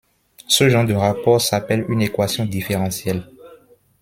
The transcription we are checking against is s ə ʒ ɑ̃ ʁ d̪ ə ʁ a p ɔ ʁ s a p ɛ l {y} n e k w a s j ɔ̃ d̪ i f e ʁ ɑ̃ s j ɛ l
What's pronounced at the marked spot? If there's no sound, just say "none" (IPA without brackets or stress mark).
y